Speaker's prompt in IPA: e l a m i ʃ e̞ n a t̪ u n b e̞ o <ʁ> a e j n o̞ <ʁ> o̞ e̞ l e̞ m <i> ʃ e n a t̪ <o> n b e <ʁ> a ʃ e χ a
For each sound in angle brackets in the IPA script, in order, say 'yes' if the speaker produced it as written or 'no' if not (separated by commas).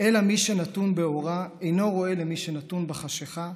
yes, yes, yes, no, no